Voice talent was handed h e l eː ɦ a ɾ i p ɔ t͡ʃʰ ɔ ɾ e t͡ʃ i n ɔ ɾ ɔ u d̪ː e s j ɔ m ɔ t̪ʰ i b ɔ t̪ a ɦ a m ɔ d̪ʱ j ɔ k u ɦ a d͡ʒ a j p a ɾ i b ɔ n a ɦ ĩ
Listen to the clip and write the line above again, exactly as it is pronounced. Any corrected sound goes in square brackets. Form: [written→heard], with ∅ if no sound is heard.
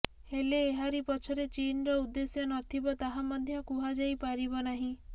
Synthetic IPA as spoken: h e l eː ɦ a ɾ i p ɔ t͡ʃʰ ɔ ɾ e t͡ʃ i n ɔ ɾ ɔ u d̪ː e s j ɔ [m→n] ɔ t̪ʰ i b ɔ t̪ a ɦ a m ɔ d̪ʱ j ɔ k u ɦ a d͡ʒ a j p a ɾ i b ɔ n a ɦ ĩ